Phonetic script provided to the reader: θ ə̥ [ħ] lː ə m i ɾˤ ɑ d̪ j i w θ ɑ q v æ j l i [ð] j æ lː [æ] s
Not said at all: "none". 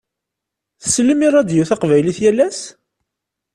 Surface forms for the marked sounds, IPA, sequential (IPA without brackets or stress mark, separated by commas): s, θ, æ